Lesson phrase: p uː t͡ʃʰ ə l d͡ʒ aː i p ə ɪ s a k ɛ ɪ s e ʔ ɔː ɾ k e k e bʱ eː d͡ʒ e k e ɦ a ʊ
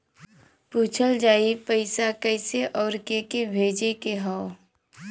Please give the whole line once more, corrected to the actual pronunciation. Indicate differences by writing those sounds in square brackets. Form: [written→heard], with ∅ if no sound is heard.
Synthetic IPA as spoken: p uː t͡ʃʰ ə l d͡ʒ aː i p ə ɪ s a k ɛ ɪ s e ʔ ɔː ɾ k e k e bʱ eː d͡ʒ e k e ɦ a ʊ